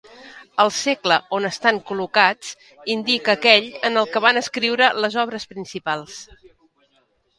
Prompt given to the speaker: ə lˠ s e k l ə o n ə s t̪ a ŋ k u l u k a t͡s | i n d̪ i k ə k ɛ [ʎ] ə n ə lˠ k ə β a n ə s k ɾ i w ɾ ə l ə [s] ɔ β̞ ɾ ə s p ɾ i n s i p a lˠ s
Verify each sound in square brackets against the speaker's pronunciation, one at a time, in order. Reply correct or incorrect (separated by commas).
correct, incorrect